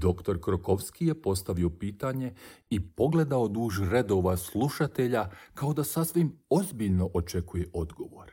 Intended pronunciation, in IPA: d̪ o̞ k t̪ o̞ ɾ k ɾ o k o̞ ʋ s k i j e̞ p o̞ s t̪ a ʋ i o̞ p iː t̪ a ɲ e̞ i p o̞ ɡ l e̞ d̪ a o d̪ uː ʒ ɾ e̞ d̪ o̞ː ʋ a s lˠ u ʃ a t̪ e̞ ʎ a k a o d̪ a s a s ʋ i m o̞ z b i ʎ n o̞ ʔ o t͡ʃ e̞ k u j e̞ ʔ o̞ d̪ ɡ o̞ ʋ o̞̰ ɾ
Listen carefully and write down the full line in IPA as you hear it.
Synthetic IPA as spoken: d̪ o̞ k t̪ o̞ ɾ k ɾ o k o̞ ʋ s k i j e̞ p o̞ s t̪ a ʋ i o̞ p iː t̪ a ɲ e̞ i p o̞ ɡ l e̞ d̪ a o d̪ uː ʒ ɾ e̞ d̪ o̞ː ʋ a s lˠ u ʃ a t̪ e̞ ʎ a k a o d̪ a s a s ʋ i m o̞ z b i ʎ n o̞ ʔ o t͡ʃ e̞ k u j e̞ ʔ o̞ d̪ ɡ o̞ ʋ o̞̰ ɾ